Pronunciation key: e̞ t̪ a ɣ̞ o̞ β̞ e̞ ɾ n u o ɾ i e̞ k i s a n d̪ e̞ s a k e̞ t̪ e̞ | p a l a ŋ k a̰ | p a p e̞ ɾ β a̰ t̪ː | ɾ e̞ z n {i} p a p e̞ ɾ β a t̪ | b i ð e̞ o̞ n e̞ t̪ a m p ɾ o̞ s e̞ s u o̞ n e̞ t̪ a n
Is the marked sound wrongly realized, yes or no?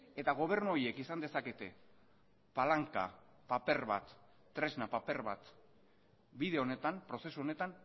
yes